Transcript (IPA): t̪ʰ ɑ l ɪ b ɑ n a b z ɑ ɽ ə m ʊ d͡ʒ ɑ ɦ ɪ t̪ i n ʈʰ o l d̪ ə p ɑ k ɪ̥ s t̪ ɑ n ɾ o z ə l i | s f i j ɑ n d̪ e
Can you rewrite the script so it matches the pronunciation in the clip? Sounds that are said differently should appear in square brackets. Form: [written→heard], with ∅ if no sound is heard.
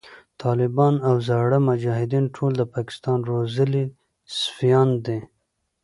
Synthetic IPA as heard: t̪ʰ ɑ l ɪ b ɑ n a [b→w] z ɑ ɽ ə m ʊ d͡ʒ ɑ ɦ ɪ [t̪→d̪] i n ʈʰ o l d̪ ə p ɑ k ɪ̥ s t̪ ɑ n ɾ o z ə l i | s f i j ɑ n d̪ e